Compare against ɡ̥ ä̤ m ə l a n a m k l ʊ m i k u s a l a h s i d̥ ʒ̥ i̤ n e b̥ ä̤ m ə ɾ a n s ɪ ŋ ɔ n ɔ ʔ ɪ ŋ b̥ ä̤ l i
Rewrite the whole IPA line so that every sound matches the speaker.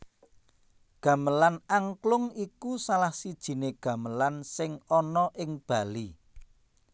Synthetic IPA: ɡ̥ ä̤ m ə l a n a ŋ k l ʊ ŋ i k u s a l a h s i d̥ ʒ̥ i̤ n e ɡ̥ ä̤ m ə l a n s ɪ ŋ ɔ n ɔ ʔ ɪ ŋ b̥ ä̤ l i